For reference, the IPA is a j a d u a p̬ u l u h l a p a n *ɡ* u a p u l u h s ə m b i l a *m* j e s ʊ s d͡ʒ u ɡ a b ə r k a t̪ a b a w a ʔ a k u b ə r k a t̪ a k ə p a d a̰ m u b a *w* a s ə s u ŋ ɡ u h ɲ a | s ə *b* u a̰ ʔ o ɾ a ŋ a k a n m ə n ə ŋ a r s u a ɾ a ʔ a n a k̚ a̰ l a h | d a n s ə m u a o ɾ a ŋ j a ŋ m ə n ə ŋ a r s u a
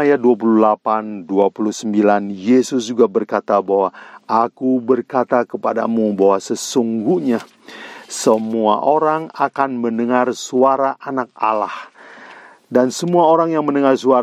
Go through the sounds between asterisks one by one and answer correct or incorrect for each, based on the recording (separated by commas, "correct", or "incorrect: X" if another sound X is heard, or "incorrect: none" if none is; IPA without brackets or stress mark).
incorrect: d, incorrect: n, correct, incorrect: m